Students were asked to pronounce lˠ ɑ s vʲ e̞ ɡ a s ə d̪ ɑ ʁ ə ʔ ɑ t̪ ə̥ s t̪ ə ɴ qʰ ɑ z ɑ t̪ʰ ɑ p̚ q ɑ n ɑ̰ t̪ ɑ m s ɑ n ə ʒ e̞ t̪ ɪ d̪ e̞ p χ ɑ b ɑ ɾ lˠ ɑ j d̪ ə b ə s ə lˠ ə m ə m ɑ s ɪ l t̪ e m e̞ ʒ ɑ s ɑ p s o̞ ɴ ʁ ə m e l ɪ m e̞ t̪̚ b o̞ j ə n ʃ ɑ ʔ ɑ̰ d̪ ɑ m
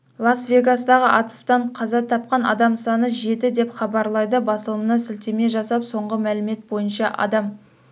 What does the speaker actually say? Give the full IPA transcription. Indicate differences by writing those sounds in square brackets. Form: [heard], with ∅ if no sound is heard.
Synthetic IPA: lˠ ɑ s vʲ e̞ ɡ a s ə d̪ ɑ ʁ ə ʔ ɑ t̪ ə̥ s t̪ [ɑ] ɴ qʰ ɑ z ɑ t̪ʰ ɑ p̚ q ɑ n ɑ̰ [d̪] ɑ m s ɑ n ə ʒ e̞ t̪ ɪ d̪ e̞ p χ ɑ b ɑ ɾ lˠ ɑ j d̪ ə b [ɑ] s ə lˠ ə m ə [n] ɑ s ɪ l t̪ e m e̞ ʒ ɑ s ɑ p s o̞ ɴ ʁ ə m [æ] l ɪ m e̞ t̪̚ b o̞ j ə n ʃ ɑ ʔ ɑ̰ d̪ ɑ m

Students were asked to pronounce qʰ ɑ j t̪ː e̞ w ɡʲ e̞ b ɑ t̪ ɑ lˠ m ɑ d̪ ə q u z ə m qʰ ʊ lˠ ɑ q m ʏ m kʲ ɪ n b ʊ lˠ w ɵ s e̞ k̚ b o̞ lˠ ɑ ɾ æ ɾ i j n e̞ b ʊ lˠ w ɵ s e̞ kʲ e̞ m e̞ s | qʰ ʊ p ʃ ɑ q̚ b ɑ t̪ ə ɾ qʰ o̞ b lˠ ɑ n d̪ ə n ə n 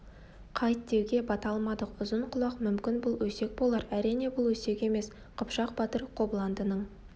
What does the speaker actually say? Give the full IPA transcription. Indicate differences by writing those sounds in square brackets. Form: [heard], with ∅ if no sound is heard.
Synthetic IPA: qʰ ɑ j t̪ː e̞ w ɡʲ e̞ b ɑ t̪ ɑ lˠ m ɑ d̪ ə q [ʊ] z ə [ɴ] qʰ ʊ lˠ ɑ q m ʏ m kʲ ɪ n b ʊ lˠ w ɵ s e̞ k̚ b o̞ lˠ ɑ ɾ æ ɾ i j n e̞ b ʊ lˠ w ɵ s e̞ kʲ e̞ m e̞ s | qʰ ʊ p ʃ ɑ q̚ b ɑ t̪ ə ɾ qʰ o̞ b lˠ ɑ n d̪ ə n ə [ɴ]

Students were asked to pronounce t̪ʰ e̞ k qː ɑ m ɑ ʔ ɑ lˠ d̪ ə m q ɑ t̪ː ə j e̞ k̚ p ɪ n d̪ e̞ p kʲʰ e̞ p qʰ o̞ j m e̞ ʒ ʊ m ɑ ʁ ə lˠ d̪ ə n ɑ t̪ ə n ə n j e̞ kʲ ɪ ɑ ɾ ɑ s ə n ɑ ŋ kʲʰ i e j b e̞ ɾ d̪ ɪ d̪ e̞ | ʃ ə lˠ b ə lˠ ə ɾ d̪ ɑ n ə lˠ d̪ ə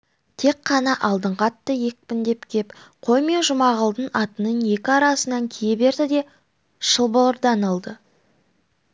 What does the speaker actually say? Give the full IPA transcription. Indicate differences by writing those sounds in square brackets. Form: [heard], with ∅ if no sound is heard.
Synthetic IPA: t̪ʰ e̞ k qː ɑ [n] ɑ ʔ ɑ lˠ d̪ ə [ɴ] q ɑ t̪ː ə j e̞ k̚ p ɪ n d̪ e̞ p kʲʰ e̞ p qʰ o̞ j m e̞ ʒ ʊ m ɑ ʁ ə lˠ d̪ ə n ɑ t̪ ə n ə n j e̞ kʲ ɪ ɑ ɾ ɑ s ə n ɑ ŋ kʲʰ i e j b e̞ ɾ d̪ ɪ d̪ e̞ | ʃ ə lˠ b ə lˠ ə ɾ d̪ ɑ n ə lˠ d̪ ə

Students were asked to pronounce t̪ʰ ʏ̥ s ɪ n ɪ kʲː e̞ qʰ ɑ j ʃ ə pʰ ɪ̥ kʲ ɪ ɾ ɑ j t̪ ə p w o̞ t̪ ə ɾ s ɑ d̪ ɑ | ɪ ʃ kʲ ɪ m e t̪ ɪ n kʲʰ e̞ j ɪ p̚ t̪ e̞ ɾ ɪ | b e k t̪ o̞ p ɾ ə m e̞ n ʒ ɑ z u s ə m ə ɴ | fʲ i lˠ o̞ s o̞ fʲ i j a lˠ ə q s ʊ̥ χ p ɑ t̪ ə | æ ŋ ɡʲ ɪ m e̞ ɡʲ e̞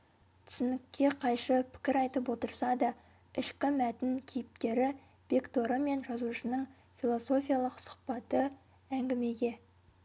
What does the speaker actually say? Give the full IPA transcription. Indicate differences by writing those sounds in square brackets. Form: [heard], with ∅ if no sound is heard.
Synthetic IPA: t̪ʰ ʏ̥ s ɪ n ɪ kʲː e̞ qʰ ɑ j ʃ ə pʰ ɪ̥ kʲ ɪ ɾ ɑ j t̪ ə p w o̞ t̪ ə ɾ s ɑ d̪ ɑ | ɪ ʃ kʲ ɪ m [æ] t̪ ɪ n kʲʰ e̞ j ɪ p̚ t̪ e̞ ɾ ɪ | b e k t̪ o̞ [∅] ɾ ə m e̞ n ʒ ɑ z u [ʃ] ə [n] ə ɴ | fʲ i lˠ o̞ s o̞ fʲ i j a lˠ ə q s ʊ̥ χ p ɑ t̪ ə | æ ŋ ɡʲ ɪ m e̞ ɡʲ e̞

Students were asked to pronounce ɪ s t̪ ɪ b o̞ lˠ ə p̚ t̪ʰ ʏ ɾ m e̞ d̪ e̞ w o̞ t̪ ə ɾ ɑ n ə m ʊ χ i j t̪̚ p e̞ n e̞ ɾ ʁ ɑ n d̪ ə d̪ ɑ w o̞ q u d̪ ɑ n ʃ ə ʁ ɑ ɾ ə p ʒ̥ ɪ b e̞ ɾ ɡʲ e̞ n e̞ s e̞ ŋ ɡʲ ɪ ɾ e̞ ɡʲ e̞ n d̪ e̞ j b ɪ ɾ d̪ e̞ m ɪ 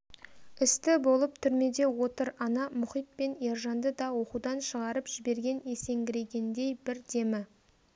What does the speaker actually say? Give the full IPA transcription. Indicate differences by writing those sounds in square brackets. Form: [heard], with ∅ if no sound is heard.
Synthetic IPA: ɪ s t̪ ɪ b o̞ lˠ ə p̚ t̪ʰ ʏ ɾ m e̞ d̪ e̞ w o̞ t̪ ə ɾ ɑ n [ɑ] m ʊ χ i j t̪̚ p e̞ n e̞ ɾ [ʒ] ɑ n d̪ ə d̪ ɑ w o̞ q u d̪ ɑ n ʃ ə ʁ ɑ ɾ ə p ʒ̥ ɪ b e̞ ɾ ɡʲ e̞ n e̞ s e̞ ŋ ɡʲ ɪ ɾ e̞ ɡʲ e̞ n d̪ e̞ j b ɪ ɾ d̪ e̞ m ɪ

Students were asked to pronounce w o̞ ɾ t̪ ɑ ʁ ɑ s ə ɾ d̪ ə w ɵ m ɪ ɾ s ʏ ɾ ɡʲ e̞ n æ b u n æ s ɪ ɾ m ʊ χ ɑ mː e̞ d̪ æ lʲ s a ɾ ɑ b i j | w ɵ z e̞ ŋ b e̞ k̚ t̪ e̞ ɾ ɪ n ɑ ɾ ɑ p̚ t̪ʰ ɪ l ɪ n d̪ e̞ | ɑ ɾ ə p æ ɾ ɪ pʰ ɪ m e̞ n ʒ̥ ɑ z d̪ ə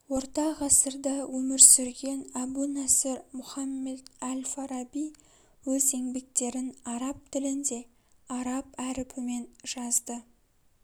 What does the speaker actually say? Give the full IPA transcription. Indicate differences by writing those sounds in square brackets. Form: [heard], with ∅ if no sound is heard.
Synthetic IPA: w o̞ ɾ t̪ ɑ ʁ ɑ s ə ɾ d̪ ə w ɵ m ɪ ɾ s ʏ ɾ ɡʲ e̞ n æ b u n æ s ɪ ɾ m ʊ χ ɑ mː e̞ d̪ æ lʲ [f] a ɾ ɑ b i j | w ɵ z e̞ ŋ b e̞ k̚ t̪ e̞ ɾ ɪ n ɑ ɾ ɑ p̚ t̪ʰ ɪ l ɪ n d̪ e̞ | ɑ ɾ [ɑ] p æ ɾ ɪ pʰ ɪ m e̞ n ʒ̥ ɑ z d̪ ə

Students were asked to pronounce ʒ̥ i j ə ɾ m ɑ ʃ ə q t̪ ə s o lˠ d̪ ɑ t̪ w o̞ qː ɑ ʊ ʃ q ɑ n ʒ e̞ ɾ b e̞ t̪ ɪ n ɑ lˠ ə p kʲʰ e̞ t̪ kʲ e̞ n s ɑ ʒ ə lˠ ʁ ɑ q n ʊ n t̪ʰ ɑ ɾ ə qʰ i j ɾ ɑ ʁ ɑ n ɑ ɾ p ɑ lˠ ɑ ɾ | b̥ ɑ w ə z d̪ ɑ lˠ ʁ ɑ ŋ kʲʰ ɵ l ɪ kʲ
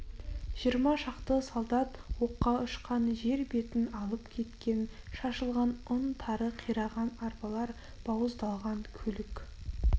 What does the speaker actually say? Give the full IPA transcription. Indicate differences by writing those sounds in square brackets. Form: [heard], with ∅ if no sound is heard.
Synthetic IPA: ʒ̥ i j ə ɾ m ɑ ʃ [ɑ] q t̪ ə s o lˠ d̪ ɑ t̪ w o̞ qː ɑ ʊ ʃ q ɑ n ʒ e̞ ɾ b e̞ t̪ ɪ n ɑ lˠ ə p kʲʰ e̞ t̪ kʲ e̞ n [ʃ] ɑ [ʃ] ə lˠ ʁ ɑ [∅] n ʊ n t̪ʰ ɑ ɾ ə qʰ i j ɾ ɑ ʁ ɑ n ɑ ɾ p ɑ lˠ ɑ ɾ | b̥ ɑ w ə z d̪ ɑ lˠ ʁ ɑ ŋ kʲʰ ɵ l ɪ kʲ

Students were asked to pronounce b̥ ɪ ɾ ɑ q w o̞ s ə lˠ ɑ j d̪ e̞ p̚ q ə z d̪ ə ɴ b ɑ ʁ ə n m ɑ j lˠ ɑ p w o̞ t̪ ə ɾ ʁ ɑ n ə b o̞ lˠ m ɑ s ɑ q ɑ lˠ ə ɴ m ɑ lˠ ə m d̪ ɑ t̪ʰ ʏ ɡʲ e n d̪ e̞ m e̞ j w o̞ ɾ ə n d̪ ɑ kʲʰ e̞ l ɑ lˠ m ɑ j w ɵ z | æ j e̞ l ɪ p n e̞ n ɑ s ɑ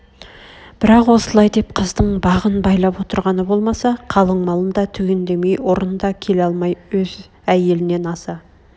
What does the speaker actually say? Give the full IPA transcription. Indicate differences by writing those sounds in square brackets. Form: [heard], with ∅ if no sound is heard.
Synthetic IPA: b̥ ɪ ɾ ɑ q w o̞ s ə lˠ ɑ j d̪ e̞ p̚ [qʰ] ə z d̪ ə ɴ b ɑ ʁ ə n [b] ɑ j lˠ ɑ p w o̞ t̪ ə ɾ ʁ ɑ n ə b o̞ lˠ m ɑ s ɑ [qʰ] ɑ lˠ ə ɴ m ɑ lˠ ə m d̪ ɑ t̪ʰ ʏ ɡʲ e n d̪ e̞ m e̞ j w o̞ ɾ ə n d̪ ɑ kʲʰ e̞ l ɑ lˠ m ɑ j w ɵ z | æ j e̞ l ɪ [∅] n e̞ n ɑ s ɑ

